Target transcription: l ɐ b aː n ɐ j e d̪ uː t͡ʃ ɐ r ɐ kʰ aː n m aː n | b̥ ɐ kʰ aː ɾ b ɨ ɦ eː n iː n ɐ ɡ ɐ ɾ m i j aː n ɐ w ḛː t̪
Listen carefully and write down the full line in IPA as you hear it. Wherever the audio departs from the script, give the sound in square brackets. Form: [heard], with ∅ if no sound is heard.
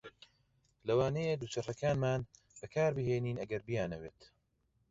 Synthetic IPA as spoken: l ɐ [w] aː n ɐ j e d̪ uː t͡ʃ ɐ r ɐ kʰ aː n m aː n | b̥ ɐ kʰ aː ɾ b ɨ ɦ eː n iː n ɐ ɡ ɐ ɾ [b] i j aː n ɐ w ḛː t̪